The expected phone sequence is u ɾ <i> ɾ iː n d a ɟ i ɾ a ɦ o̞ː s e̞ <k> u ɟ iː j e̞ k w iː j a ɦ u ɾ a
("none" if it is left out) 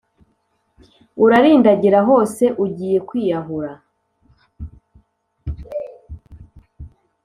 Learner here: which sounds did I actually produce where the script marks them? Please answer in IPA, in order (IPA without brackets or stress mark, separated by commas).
a, ʔ